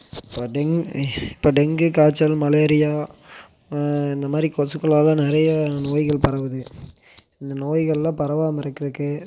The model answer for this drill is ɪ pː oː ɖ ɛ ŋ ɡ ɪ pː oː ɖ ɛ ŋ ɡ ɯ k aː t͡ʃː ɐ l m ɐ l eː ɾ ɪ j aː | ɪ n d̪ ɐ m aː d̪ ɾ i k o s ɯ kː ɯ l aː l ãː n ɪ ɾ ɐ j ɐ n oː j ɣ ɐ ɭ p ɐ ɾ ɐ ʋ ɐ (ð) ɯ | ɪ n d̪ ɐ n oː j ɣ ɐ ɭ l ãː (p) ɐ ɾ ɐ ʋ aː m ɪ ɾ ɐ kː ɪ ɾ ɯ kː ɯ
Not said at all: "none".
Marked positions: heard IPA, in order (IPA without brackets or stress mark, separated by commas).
ð, p